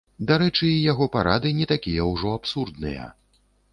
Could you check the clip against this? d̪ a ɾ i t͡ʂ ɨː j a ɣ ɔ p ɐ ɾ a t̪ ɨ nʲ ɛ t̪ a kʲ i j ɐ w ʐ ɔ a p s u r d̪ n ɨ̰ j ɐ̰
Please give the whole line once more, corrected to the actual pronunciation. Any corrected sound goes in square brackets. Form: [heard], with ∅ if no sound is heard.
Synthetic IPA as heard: d̪ a ɾ [ɛ] t͡ʂ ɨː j a ɣ ɔ p [a] ɾ a [d̪] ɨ nʲ ɛ t̪ a kʲ i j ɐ w ʐ ɔ a p s u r d̪ n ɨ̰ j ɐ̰